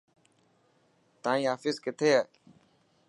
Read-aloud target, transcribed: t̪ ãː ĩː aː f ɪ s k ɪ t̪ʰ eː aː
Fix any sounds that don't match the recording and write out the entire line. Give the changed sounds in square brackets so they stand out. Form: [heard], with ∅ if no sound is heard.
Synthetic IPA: t̪ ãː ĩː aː f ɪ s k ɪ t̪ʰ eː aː